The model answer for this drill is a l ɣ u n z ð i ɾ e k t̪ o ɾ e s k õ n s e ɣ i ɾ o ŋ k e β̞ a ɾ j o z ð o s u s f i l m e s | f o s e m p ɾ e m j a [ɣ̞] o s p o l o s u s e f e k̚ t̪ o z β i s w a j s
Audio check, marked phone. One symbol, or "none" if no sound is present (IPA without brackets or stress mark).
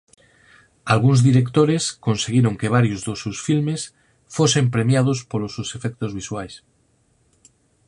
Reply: ð̞